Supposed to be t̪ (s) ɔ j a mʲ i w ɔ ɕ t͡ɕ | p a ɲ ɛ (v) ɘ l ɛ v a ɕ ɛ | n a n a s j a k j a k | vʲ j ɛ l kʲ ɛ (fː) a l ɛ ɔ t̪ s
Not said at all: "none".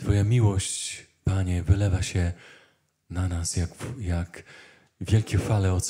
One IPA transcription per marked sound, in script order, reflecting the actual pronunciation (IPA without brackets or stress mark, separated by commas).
f, v, f